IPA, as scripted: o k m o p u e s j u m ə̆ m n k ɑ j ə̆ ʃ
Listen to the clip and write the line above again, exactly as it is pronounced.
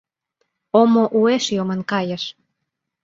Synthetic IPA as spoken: o m o ʔ u e ʃ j o m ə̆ n k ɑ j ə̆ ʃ